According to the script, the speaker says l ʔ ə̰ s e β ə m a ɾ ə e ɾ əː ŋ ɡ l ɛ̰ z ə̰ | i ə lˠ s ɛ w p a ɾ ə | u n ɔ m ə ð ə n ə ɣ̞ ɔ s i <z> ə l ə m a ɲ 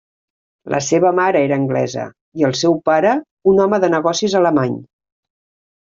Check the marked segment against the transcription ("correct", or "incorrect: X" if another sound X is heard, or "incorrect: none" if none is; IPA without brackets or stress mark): correct